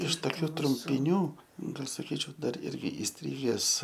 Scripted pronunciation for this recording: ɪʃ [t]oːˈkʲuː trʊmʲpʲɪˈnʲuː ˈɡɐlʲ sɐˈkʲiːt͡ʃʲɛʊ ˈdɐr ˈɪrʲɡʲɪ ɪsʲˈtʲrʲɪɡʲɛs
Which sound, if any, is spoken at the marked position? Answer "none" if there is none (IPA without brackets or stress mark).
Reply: t